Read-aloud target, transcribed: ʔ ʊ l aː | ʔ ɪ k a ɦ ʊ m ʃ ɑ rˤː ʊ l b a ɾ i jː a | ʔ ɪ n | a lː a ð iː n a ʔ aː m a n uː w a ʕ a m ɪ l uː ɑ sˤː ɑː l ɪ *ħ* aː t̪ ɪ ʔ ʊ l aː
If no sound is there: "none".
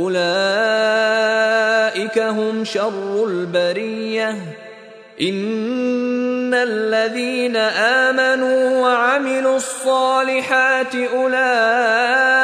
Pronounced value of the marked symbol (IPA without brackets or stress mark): ħ